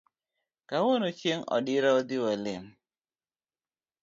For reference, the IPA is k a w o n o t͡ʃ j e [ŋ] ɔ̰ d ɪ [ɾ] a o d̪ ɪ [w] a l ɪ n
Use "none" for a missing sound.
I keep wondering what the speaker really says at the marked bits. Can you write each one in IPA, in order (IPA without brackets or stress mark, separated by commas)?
ŋ, ɾ, w